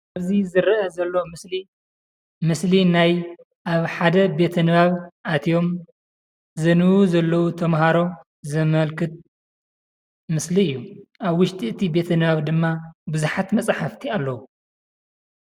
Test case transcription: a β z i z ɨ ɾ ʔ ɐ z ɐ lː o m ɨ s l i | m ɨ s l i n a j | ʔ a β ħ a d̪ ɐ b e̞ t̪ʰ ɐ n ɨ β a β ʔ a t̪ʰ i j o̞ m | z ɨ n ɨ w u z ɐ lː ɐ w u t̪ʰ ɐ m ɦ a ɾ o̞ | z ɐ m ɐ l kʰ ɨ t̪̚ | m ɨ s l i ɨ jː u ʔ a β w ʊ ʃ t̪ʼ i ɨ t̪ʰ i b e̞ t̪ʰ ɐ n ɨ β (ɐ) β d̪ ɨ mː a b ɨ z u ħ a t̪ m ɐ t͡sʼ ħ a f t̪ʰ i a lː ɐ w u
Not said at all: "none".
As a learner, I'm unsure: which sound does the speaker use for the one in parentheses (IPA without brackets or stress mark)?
a